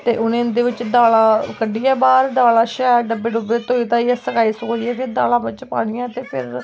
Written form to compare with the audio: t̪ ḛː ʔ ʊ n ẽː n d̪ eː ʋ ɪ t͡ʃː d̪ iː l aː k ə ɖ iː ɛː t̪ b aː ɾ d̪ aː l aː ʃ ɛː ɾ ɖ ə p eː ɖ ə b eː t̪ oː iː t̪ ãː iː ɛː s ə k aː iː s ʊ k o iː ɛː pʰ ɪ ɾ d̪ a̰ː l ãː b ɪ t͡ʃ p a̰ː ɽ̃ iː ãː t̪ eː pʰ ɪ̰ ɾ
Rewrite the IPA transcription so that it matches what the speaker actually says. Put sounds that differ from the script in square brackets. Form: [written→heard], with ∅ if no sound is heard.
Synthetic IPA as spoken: t̪ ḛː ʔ ʊ n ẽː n d̪ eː ʋ ɪ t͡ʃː d̪ [iː→aː] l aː k ə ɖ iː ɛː [t̪→∅] b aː ɾ d̪ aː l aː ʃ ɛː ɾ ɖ ə [p→b] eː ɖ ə b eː t̪ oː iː t̪ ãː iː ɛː s ə k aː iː s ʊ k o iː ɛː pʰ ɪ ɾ d̪ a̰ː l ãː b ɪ t͡ʃ p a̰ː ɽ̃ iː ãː t̪ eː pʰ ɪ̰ ɾ